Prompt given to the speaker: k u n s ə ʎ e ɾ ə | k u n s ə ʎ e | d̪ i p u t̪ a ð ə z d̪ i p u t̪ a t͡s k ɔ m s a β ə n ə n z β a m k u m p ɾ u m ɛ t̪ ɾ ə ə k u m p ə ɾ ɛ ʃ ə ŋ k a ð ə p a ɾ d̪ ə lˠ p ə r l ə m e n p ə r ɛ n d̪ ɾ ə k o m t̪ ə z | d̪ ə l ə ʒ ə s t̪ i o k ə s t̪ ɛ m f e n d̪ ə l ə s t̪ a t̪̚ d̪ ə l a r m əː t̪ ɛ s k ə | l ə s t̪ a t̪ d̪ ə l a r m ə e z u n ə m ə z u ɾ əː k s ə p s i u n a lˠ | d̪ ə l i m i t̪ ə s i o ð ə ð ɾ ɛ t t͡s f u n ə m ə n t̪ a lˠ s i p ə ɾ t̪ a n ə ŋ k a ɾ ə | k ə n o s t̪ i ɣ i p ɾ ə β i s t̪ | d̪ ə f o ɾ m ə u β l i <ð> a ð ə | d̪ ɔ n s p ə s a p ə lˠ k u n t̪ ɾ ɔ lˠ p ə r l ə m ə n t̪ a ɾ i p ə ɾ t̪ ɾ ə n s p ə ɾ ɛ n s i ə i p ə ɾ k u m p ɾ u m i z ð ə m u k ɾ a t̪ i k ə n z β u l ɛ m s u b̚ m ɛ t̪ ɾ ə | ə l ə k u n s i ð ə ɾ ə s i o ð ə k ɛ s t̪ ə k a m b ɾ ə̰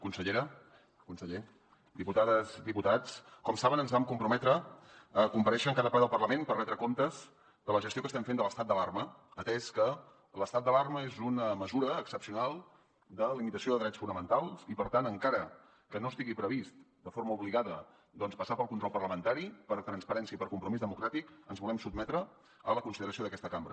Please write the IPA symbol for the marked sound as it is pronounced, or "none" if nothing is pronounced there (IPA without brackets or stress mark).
ɣ